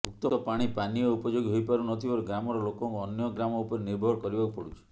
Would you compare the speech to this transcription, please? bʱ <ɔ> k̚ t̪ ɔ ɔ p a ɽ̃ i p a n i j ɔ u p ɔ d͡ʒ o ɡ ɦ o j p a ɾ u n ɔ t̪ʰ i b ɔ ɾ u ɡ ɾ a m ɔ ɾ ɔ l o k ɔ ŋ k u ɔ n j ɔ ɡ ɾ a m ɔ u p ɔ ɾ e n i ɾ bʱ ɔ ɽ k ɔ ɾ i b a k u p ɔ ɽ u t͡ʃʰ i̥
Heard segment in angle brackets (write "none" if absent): u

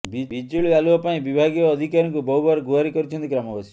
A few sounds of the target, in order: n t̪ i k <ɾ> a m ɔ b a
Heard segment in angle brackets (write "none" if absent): ɾ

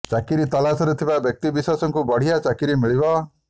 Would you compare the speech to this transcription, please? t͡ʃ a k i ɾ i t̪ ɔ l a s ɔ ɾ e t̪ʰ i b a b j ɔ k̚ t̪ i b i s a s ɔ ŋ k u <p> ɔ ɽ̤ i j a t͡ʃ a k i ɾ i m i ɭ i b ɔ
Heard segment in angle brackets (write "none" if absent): b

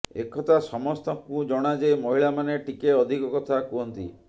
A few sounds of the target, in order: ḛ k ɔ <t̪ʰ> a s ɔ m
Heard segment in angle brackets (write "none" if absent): t̪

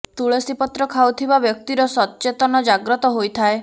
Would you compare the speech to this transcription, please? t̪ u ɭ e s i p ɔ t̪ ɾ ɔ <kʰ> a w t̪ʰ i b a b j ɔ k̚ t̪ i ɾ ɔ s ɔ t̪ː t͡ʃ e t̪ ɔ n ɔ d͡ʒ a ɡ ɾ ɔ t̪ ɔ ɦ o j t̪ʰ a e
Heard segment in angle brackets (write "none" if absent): kʰ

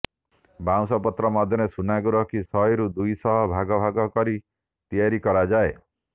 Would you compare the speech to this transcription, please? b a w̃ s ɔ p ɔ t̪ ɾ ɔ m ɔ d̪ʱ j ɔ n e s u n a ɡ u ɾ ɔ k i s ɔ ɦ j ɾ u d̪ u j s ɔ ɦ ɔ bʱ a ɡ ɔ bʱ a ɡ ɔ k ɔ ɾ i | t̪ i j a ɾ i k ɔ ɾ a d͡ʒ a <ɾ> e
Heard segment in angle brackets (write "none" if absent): none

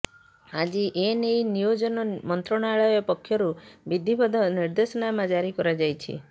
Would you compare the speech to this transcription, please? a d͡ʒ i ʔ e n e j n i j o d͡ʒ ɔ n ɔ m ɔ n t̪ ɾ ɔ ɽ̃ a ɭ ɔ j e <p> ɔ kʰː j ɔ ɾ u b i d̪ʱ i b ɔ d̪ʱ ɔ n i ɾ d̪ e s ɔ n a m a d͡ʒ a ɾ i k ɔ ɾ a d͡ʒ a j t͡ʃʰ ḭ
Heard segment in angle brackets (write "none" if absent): p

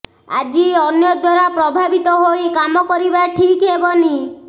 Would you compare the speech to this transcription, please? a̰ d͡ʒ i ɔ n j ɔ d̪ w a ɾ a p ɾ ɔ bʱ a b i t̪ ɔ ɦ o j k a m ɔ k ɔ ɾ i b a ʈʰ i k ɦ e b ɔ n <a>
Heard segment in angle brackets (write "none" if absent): i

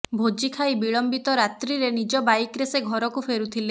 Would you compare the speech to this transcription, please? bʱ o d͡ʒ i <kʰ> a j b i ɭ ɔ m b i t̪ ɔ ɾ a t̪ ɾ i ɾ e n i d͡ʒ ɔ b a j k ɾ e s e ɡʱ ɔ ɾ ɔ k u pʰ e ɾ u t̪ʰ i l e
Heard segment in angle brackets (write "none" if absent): kʰ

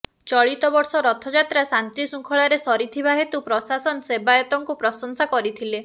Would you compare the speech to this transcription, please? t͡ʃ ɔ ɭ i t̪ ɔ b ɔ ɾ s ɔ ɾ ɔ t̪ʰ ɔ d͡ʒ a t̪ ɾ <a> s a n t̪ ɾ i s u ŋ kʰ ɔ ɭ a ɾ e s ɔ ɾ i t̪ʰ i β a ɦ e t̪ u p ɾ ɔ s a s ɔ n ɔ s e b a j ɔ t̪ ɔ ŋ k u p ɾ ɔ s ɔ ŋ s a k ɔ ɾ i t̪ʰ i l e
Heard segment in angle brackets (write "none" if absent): a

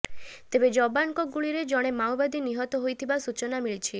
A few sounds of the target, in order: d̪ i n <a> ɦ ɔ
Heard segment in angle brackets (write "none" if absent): i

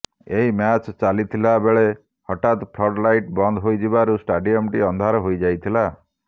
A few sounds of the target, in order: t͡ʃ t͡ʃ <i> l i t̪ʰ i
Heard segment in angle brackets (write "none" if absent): a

